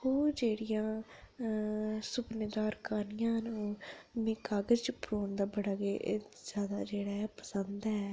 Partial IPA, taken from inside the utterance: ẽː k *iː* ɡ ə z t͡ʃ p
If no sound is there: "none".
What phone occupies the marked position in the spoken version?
aː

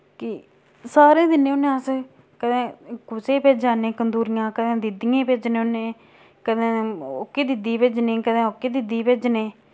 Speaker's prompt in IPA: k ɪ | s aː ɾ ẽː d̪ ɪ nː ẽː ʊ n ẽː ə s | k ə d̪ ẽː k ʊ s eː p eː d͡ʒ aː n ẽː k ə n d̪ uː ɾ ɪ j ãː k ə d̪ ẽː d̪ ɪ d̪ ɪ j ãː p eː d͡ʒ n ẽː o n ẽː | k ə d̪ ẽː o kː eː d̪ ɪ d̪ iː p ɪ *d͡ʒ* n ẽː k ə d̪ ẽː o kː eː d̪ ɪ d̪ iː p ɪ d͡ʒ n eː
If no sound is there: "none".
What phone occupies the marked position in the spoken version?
d͡ʒ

